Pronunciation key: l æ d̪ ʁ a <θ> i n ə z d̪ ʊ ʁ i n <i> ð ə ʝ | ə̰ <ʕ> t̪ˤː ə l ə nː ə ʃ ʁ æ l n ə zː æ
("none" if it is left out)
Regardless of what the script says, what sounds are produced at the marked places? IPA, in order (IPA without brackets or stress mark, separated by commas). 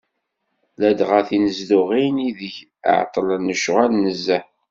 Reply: θ, i, ʕ